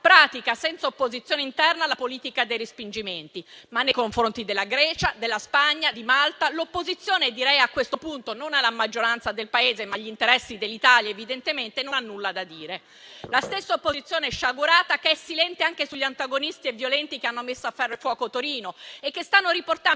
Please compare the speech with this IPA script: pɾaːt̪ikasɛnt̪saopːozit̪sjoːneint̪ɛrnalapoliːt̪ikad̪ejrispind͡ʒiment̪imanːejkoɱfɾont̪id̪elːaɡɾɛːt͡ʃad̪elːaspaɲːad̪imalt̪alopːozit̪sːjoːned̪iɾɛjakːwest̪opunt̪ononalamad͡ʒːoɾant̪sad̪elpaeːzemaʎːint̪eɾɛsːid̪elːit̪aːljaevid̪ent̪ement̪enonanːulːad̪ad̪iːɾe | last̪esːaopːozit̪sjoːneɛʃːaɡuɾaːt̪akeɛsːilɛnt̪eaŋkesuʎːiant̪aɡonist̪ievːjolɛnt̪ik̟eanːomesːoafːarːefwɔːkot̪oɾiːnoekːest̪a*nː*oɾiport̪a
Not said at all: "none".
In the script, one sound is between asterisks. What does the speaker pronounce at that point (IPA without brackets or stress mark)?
nː